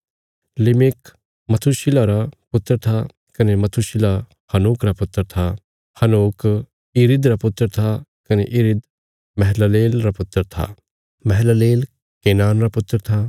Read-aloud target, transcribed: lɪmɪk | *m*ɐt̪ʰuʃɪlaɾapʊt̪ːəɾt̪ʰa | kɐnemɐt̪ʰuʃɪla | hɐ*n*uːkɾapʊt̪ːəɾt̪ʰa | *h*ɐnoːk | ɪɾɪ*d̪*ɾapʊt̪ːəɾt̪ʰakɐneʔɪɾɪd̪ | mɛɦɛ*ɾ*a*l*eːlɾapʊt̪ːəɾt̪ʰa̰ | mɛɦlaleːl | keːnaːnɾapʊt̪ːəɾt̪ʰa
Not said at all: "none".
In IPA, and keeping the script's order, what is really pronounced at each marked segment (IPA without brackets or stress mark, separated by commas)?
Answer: m, n, h, d̪, l, l